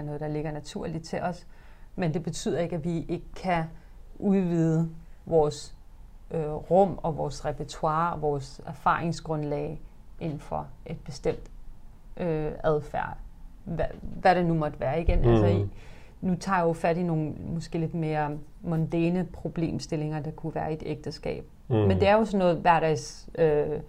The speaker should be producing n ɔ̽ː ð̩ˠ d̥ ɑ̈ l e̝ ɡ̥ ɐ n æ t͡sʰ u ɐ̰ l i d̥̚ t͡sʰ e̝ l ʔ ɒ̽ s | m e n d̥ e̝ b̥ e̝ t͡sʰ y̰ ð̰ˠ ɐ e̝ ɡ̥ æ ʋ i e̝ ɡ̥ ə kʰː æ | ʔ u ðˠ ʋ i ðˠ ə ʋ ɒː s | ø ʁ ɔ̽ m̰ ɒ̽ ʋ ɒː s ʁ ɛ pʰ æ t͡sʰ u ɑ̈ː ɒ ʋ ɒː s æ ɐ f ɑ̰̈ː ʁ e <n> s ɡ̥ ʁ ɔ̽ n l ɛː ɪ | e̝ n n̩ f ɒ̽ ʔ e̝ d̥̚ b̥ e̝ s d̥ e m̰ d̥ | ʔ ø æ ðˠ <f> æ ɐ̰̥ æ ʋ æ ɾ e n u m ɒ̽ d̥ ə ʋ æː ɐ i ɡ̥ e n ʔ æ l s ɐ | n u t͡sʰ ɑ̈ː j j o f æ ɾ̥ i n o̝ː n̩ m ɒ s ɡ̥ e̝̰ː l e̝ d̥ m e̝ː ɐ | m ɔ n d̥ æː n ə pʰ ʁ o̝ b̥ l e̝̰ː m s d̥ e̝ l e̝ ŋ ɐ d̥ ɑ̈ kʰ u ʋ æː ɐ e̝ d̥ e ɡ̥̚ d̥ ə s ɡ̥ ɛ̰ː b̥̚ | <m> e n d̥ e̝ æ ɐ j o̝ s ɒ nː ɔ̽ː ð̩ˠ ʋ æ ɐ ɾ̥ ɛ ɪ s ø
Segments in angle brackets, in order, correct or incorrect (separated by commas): incorrect, correct, correct